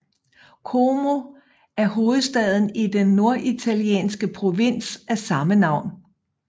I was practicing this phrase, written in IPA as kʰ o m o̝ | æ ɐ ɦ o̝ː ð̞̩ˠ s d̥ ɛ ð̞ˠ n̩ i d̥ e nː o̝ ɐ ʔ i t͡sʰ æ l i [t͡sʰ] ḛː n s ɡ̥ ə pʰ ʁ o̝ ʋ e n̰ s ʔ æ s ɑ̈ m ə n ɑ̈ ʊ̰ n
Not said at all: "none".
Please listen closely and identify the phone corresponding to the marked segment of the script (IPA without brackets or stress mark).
none